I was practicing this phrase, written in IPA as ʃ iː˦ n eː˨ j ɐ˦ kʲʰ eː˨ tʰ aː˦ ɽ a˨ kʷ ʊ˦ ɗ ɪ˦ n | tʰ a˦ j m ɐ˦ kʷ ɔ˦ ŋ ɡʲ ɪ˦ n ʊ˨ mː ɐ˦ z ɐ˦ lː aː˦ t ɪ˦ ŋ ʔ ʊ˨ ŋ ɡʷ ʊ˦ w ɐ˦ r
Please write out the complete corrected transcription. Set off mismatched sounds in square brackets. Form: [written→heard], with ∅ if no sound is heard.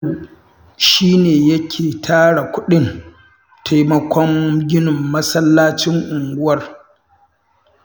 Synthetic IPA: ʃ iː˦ n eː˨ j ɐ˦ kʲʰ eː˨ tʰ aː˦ ɽ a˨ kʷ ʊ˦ ɗ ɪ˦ n | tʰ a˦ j m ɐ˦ kʷ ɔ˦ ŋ ɡʲ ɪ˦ n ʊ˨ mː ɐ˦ [z→s] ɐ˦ lː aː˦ [t→t͡ʃ] ɪ˦ ŋ ʔ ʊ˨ ŋ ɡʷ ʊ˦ w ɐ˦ r